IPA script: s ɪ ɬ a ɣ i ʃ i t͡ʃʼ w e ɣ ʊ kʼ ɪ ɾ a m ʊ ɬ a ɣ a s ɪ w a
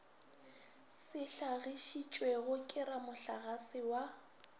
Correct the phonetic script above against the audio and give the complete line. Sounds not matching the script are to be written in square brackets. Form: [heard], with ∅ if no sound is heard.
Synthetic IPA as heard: s ɪ ɬ a ɣ i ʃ i t͡ʃʼ w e ɣ ʊ kʼ ɪ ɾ a m ʊ ɬ a ɣ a s ɪ w a